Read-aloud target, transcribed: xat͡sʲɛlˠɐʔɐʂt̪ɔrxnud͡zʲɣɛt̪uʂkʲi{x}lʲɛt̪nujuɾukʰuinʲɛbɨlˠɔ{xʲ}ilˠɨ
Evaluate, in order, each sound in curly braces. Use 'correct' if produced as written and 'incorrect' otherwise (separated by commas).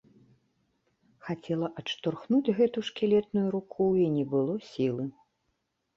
incorrect, incorrect